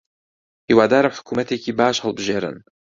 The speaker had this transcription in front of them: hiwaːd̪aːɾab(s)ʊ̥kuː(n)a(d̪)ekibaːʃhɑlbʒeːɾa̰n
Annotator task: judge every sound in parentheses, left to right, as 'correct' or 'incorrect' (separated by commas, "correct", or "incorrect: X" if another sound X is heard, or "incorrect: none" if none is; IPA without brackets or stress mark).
incorrect: ħ, incorrect: m, incorrect: t̪